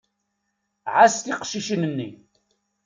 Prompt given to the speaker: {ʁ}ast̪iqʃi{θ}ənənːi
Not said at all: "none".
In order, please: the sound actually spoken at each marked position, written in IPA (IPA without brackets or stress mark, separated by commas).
ʕ, ʃ